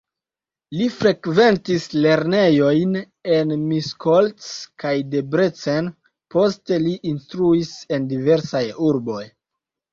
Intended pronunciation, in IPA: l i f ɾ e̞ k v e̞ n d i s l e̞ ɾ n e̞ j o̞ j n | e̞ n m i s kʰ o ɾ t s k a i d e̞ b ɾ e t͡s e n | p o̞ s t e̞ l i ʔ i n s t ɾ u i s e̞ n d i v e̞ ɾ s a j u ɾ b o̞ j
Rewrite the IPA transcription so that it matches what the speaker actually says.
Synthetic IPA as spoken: l i f ɾ e̞ k v e̞ n t i s l e̞ ɾ n e̞ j o̞ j n | e̞ n m i s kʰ o l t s k a j d e̞ b ɾ e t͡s e n | p o̞ s t e̞ l i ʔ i n s t ɾ u i s e̞ n d i v e̞ ɾ s a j u ɾ b o̞ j